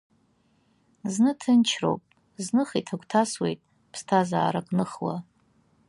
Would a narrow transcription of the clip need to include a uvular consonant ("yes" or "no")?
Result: yes